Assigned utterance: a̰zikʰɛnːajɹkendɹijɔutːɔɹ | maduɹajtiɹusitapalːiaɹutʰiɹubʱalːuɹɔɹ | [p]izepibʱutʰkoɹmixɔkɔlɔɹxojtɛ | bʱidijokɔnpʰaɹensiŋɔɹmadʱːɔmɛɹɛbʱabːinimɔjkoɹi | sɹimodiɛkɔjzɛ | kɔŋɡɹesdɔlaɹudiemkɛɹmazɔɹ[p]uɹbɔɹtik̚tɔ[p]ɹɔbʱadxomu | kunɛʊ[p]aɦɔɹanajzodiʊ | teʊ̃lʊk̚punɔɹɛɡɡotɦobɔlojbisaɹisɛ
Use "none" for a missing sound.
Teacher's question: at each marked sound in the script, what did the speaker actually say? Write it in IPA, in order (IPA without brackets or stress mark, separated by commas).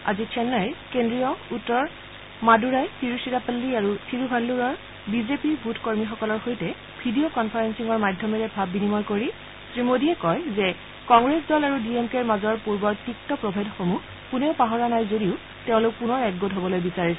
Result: b, p, p, p